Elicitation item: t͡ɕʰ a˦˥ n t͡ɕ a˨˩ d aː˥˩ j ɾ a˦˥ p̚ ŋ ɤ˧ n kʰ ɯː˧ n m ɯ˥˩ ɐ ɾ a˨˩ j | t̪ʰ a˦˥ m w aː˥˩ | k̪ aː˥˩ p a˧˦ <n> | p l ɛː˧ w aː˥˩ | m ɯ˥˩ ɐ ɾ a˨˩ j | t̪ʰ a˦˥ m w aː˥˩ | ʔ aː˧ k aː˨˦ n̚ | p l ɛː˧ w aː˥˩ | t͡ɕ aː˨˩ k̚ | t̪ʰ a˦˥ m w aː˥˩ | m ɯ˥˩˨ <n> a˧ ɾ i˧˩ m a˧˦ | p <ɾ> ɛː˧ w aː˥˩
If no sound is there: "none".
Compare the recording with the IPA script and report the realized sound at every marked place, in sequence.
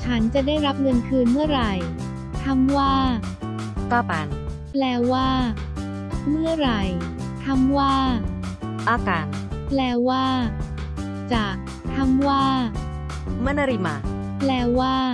n, n, l

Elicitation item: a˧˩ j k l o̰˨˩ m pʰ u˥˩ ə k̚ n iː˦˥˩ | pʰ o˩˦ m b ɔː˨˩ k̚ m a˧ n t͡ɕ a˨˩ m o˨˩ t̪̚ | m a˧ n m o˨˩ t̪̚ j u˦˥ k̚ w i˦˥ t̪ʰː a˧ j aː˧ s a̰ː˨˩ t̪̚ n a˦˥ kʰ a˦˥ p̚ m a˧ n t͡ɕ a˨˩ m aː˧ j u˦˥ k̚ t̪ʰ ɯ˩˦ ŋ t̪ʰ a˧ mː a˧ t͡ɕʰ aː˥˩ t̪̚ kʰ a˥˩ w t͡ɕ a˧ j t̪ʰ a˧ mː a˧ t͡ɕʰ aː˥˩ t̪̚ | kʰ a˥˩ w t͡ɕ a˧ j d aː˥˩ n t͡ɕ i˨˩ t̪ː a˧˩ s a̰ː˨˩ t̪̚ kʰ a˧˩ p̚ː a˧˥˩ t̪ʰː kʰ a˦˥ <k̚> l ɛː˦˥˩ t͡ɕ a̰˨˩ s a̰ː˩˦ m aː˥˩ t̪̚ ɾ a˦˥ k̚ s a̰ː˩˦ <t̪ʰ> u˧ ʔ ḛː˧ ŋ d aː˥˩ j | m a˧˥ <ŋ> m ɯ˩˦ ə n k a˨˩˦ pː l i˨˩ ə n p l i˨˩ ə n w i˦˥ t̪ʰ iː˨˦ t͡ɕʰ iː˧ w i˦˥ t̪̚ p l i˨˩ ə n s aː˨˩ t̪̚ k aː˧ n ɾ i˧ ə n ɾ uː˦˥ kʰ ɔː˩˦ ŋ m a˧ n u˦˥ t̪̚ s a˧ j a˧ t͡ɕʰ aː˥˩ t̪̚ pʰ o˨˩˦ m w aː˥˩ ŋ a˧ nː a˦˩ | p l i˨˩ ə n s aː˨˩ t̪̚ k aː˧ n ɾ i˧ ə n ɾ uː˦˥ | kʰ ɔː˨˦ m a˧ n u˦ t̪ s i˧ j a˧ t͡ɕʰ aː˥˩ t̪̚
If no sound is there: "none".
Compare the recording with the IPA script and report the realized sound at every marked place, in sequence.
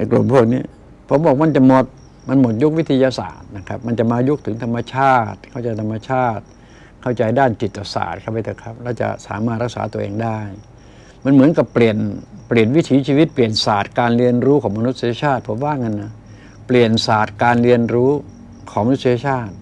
p̚, t̪, n

